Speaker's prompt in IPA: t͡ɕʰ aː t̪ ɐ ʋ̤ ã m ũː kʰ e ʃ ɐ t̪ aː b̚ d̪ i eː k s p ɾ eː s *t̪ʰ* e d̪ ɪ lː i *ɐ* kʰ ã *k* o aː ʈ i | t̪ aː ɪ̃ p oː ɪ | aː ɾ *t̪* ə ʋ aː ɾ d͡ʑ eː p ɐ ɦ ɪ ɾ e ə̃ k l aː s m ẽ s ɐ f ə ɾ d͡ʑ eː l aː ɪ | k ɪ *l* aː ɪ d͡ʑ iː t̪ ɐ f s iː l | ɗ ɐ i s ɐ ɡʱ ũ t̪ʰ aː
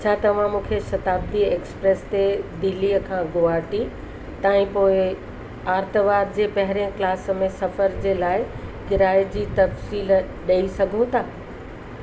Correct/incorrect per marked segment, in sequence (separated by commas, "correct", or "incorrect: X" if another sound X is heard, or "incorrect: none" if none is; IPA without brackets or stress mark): incorrect: t̪, incorrect: ə, incorrect: ɡ, correct, incorrect: ɾ